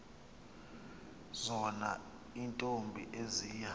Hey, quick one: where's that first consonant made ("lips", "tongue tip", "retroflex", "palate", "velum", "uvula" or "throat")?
tongue tip